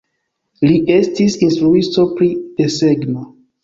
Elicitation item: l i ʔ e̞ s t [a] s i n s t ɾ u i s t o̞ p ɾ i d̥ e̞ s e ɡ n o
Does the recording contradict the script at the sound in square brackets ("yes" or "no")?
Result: yes